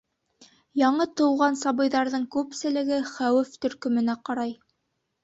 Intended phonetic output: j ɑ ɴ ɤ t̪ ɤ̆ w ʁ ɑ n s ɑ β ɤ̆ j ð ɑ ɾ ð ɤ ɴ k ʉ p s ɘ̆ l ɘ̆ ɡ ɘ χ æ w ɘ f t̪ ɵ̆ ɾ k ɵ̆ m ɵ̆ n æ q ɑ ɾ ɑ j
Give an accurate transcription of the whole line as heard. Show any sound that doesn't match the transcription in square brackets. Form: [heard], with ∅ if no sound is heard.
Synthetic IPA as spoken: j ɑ ɴ ɤ t̪ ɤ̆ w ʁ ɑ n s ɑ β ɤ̆ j ð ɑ ɾ ð ɤ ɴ k ʉ p s ɘ̆ l ɘ̆ ɡ ɘ χ æ w ɘ f t̪ ɵ̆ ɾ k ɵ̆ m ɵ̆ n æ q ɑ ɾ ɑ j